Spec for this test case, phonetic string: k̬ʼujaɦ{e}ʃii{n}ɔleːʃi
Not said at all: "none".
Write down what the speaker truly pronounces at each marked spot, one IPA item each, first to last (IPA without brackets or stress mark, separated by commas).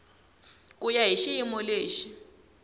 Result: i, m